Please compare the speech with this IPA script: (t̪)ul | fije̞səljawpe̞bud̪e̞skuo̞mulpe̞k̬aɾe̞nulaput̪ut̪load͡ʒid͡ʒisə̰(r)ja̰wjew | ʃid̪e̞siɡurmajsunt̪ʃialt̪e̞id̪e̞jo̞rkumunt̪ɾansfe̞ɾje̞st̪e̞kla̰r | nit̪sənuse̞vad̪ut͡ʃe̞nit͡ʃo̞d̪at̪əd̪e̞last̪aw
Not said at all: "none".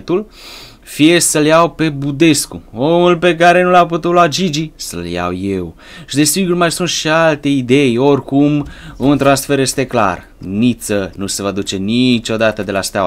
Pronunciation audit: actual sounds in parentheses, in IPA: t̪, l

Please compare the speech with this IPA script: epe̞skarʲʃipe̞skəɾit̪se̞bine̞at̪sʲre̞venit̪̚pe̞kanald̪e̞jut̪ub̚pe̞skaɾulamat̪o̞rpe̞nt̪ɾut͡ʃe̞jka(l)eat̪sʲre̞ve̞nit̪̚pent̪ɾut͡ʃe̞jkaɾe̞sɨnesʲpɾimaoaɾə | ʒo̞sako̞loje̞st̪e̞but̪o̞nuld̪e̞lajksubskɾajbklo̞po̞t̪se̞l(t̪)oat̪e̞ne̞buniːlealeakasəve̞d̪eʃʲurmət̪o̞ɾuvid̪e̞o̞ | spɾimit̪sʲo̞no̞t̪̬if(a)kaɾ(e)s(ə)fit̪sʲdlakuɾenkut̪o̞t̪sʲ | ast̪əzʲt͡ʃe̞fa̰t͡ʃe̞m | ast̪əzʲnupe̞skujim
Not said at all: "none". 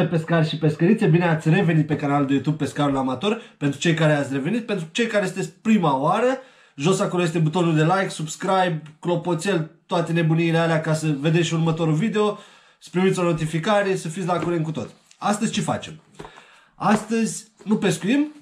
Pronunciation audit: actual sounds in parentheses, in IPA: ɾ, t̪, i, e, ə

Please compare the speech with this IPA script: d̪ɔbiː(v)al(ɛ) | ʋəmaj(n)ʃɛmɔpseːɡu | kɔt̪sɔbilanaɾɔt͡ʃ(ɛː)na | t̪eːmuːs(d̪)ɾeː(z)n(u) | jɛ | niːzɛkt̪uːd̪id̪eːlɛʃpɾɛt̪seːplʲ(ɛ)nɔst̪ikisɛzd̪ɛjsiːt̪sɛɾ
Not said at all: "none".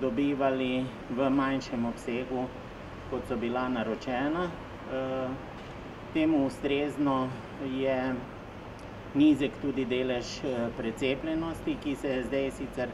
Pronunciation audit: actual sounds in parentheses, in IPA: ʋ, i, n, ɛː, t̪, z, ɔ, ɛ

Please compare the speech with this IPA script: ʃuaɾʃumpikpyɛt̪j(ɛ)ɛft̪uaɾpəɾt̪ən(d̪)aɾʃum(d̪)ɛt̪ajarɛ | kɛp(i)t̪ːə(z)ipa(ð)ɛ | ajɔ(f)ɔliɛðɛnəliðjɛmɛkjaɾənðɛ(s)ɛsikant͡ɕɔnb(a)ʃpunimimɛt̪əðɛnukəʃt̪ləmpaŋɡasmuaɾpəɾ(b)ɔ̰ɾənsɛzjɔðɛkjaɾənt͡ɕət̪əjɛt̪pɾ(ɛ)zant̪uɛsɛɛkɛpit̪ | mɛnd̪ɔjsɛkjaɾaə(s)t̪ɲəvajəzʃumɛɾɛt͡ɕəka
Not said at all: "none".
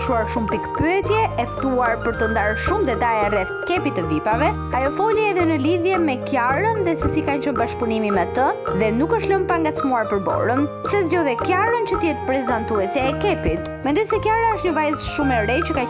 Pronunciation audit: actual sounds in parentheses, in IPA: ɛ, d̪, d̪, i, v, v, f, s, a, b, ɛ, ʃ

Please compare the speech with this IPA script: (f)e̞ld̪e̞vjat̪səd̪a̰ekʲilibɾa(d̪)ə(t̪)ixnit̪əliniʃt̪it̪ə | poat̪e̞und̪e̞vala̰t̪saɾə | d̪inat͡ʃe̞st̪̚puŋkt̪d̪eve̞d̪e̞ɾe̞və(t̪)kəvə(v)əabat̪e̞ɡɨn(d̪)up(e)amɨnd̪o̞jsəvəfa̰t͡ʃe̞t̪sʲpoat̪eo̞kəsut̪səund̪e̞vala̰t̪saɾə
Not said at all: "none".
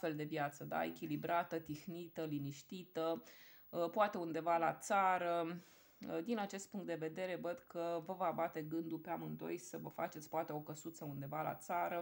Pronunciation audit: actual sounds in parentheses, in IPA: f, t̪, t̪, d̪, v, d̪, e

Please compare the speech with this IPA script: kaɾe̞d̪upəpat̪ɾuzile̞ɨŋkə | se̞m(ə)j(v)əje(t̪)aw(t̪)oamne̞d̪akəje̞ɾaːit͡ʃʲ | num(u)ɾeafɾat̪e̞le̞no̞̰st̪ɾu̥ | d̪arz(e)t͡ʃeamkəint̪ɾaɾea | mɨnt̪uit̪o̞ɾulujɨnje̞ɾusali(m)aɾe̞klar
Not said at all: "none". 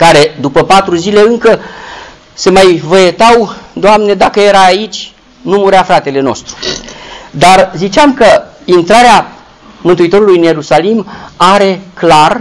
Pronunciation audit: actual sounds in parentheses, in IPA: a, v, t̪, d̪, u, i, m

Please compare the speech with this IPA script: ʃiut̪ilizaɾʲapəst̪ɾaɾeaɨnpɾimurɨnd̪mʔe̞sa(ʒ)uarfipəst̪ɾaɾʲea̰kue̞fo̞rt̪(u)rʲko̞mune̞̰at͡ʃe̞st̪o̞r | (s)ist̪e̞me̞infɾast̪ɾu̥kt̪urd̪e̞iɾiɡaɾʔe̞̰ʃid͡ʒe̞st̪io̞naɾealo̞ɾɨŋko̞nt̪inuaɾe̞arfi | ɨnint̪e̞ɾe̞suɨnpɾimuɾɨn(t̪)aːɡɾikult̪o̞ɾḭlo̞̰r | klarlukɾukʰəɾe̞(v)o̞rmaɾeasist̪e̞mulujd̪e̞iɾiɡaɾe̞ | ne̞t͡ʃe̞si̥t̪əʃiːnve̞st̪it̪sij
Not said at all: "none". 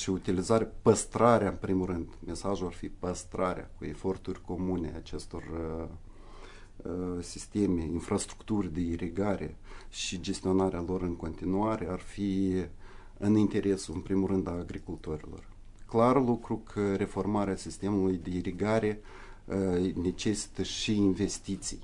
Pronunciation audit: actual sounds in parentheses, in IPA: ʒ, u, s, d̪, f

